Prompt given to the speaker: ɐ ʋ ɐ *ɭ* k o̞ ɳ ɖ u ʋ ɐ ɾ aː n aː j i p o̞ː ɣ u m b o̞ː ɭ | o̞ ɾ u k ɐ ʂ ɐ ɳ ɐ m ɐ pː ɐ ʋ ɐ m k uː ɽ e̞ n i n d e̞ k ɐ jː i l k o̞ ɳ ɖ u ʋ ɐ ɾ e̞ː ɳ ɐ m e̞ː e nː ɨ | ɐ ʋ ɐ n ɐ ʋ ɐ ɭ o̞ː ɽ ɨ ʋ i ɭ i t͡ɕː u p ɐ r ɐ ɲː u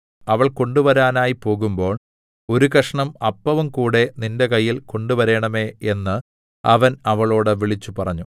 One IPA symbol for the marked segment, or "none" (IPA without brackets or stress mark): ɭ